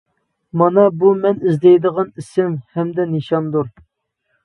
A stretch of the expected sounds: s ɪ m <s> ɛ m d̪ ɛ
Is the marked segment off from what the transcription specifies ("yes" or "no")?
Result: yes